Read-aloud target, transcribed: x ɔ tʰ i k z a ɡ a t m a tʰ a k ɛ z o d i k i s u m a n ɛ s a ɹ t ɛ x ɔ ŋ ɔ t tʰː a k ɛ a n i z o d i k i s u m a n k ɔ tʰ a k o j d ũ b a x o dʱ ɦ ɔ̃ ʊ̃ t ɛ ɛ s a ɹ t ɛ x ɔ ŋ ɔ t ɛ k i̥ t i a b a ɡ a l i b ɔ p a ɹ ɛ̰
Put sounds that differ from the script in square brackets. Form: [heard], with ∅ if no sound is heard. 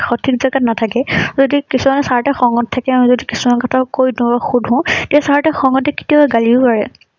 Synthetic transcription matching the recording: x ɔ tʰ i k z a ɡ a t [n] a tʰ a k ɛ z o d i k i s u m a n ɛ s a ɹ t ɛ x ɔ ŋ ɔ t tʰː a k ɛ a [m] i z o d i k i s u m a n k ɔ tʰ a k o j d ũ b a x [u] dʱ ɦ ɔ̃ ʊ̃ t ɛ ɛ s a ɹ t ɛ x ɔ ŋ ɔ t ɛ k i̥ t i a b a ɡ a l i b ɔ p a ɹ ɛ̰